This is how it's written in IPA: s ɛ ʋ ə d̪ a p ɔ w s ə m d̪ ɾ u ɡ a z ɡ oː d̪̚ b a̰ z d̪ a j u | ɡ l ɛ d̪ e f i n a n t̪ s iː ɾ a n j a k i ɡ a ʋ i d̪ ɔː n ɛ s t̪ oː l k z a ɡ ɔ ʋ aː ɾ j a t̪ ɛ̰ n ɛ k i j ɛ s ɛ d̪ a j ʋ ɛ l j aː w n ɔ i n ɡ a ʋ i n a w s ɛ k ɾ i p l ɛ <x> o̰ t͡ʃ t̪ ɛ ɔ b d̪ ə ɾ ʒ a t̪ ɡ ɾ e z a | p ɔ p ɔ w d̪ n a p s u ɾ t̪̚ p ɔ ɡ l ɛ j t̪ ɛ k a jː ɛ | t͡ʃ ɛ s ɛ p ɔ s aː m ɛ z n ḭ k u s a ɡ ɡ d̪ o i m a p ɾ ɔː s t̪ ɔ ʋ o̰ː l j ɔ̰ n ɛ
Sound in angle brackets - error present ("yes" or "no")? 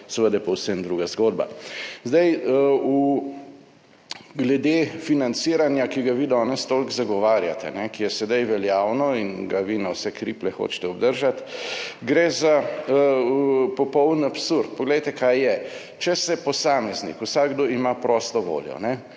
no